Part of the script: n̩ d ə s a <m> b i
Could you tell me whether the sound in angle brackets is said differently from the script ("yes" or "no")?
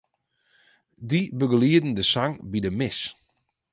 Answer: yes